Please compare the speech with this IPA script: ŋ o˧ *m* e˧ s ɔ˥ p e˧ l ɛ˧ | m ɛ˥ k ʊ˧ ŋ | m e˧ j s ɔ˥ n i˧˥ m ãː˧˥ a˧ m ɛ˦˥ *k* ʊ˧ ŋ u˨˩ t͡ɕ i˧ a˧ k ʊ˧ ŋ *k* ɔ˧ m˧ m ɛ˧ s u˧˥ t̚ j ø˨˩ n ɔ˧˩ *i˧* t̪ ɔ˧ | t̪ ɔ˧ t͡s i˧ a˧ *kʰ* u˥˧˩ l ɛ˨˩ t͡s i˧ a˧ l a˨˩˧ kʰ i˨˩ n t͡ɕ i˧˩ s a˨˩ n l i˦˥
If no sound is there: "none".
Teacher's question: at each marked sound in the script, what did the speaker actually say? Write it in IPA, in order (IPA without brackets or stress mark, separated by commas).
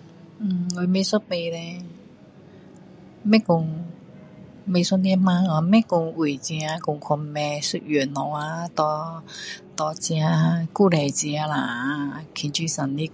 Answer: m, k, kʰ, a˧, k